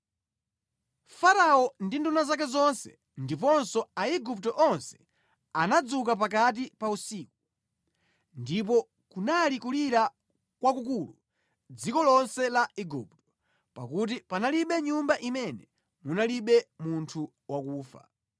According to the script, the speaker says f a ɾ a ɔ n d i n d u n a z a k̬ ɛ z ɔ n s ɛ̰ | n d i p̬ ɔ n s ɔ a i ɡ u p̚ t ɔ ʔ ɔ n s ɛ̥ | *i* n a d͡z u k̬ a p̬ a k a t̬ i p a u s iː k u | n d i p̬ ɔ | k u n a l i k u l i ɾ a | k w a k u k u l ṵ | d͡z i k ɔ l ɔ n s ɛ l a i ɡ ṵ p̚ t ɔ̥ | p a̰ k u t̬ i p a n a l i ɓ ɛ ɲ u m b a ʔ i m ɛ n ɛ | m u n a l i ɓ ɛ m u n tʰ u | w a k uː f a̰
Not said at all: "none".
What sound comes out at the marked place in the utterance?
a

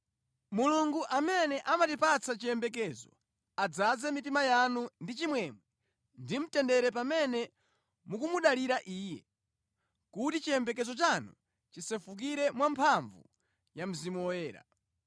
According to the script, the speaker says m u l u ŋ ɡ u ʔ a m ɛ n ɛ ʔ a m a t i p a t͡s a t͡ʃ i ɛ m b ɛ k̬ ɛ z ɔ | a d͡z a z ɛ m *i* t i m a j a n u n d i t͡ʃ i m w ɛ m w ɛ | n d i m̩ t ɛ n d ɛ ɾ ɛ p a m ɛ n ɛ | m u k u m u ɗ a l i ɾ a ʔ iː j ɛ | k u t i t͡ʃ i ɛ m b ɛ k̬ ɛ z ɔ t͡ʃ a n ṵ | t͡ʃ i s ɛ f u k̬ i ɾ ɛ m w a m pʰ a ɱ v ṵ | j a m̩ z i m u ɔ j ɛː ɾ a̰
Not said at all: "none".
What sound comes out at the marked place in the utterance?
i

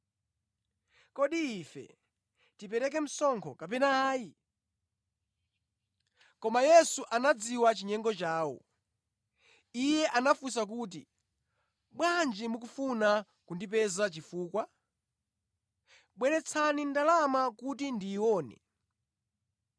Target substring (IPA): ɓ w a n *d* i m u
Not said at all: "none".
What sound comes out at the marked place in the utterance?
d͡ʒ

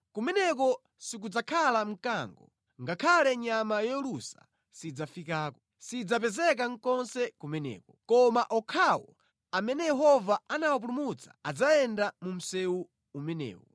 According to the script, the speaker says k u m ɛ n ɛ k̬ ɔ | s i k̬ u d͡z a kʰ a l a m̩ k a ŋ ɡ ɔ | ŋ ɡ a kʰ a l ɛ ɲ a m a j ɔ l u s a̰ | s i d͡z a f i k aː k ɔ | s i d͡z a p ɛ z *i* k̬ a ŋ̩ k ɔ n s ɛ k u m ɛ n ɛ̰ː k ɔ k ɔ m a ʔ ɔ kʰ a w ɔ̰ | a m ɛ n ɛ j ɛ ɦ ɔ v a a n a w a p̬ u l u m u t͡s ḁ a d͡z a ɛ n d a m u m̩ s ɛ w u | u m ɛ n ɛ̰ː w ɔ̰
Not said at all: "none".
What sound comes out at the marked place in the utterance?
ɛ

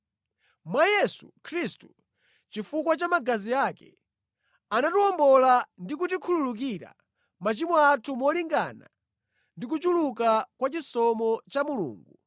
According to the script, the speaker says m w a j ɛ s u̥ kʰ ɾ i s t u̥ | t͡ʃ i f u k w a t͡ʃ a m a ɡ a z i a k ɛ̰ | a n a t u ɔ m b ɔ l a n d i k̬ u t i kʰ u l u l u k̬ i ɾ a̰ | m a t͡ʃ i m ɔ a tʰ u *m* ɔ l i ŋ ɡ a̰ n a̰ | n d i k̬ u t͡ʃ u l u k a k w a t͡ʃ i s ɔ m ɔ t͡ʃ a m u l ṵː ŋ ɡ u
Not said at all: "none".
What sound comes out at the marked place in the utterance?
m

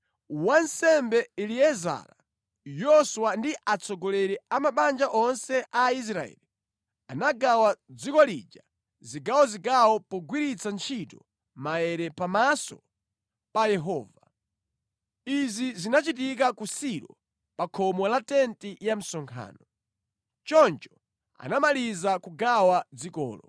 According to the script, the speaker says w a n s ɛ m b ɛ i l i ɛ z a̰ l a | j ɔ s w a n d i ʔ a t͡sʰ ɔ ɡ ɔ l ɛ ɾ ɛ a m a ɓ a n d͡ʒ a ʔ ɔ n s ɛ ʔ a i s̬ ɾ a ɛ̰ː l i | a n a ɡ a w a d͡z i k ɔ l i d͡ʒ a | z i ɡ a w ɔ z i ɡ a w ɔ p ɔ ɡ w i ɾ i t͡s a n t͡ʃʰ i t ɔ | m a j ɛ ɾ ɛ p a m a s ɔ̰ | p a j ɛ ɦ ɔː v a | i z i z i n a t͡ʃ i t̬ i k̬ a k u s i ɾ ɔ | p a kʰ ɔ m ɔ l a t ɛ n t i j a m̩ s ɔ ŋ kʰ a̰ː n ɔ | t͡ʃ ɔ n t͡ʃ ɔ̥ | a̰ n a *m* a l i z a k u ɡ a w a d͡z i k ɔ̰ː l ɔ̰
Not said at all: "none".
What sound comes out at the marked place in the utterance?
m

